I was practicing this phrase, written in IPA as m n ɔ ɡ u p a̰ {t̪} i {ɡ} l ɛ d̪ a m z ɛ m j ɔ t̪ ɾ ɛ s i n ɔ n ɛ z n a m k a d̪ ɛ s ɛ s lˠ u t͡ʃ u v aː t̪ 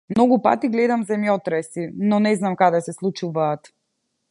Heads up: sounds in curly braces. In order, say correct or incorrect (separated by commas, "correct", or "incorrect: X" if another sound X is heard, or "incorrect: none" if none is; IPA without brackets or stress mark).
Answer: correct, correct